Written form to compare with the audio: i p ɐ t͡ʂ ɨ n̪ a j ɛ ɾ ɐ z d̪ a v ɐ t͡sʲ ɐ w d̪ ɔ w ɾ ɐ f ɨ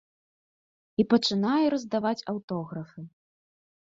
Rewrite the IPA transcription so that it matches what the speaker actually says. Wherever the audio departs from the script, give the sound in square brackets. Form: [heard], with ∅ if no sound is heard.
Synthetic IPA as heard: i p ɐ t͡ʂ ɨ n̪ a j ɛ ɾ ɐ z d̪ a v [a] t͡sʲ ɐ w [t̪] ɔ [ɣ] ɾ ɐ f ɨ